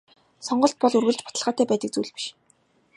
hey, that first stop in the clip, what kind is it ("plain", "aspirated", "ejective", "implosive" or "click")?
plain